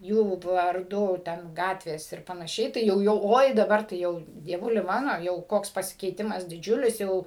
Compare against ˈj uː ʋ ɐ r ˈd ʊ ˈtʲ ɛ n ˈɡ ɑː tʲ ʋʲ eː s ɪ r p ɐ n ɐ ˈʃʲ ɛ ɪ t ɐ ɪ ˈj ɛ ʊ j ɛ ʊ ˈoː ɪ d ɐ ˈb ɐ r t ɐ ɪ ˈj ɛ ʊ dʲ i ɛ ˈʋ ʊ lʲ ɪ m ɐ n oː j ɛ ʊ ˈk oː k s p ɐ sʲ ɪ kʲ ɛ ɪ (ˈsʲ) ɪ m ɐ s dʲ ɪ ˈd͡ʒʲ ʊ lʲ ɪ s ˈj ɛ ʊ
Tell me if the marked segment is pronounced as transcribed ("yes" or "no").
no